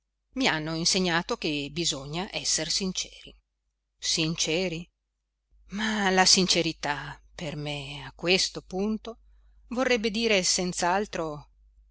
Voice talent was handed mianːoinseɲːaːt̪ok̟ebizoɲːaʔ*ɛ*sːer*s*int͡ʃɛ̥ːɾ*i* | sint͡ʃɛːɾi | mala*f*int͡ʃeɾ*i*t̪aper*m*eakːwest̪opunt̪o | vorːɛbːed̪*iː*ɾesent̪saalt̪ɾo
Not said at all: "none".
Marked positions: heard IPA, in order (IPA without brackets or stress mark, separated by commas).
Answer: ɛ, s, i, s, i, m, iː